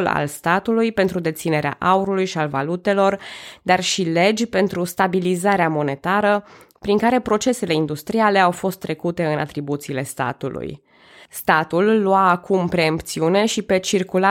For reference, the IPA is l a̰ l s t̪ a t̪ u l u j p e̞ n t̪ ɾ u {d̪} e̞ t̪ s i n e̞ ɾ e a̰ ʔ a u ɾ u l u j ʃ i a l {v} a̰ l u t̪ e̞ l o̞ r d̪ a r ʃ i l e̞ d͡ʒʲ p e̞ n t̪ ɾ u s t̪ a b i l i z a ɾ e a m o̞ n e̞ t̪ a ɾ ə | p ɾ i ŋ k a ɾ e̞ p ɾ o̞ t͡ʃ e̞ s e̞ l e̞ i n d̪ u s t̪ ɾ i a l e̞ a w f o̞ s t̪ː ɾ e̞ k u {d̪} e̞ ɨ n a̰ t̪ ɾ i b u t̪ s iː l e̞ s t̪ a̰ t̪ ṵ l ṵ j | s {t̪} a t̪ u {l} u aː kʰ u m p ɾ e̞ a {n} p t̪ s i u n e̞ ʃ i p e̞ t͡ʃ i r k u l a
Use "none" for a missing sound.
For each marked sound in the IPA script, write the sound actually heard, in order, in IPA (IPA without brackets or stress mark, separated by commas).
d̪, v, t̪, t̪, lː, m